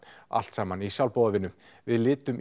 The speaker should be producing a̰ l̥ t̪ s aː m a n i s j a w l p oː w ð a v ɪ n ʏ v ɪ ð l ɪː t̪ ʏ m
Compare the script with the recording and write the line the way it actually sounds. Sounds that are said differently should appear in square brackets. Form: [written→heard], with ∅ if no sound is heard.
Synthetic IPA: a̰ l̥ t̪ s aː m a n i s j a w l p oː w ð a v ɪ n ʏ v ɪ ð l ɪː t̪ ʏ m